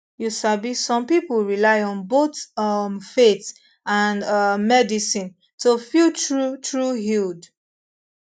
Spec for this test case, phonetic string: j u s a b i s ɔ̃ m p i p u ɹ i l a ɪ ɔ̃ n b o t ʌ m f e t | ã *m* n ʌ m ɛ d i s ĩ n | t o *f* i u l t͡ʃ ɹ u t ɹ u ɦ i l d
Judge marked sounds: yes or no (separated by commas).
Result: no, yes